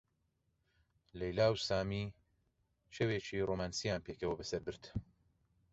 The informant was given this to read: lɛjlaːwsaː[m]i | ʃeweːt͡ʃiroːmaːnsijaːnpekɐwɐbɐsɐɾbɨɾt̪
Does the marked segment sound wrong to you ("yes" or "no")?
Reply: no